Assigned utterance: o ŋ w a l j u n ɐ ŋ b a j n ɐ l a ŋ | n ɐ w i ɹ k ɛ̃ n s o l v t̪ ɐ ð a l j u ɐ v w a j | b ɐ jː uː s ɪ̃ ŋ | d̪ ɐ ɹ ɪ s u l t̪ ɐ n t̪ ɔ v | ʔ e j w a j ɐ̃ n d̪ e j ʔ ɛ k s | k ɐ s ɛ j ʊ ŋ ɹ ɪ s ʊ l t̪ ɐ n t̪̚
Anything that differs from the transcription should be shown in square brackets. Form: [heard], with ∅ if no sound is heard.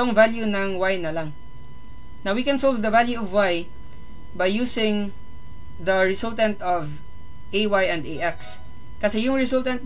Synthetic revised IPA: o ŋ [v] a l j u n ɐ ŋ [w] a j n ɐ l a ŋ | n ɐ w i [∅] k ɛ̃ n s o l v [d̪] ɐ [v] a l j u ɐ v w a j | b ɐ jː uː s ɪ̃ ŋ | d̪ ɐ ɹ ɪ s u l t̪ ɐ n t̪ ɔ v | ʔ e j w a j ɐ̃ n d̪ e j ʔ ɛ k s | k ɐ s ɛ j ʊ ŋ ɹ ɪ s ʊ l t̪ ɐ n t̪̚